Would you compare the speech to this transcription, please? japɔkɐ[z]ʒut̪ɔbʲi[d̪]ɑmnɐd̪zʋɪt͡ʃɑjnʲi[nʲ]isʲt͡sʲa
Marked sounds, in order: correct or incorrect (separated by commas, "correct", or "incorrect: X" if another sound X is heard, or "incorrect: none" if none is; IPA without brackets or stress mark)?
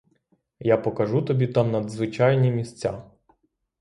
incorrect: none, incorrect: t̪, incorrect: mʲ